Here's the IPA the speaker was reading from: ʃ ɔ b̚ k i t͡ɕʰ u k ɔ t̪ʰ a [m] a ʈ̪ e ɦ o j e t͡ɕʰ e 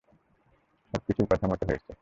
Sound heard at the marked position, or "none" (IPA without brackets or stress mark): m